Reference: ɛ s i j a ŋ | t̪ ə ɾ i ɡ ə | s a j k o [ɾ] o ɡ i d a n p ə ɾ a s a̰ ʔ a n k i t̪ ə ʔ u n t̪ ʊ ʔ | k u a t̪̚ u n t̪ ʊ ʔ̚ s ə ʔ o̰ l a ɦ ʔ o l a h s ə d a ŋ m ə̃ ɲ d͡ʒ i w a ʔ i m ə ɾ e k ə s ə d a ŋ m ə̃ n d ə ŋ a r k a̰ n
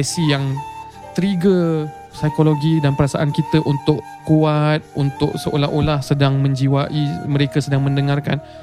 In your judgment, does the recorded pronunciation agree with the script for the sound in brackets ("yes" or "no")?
no